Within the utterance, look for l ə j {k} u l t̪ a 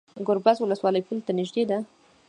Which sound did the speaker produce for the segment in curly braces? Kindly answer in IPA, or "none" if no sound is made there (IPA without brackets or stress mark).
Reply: p